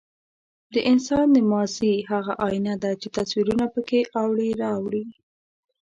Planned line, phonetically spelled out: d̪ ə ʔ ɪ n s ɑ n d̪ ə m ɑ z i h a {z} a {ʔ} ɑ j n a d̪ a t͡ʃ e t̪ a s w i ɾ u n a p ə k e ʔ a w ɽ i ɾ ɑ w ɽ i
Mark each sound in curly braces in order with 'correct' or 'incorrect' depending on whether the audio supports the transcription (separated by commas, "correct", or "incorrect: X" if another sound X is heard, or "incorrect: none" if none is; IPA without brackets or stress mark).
incorrect: ɣ, correct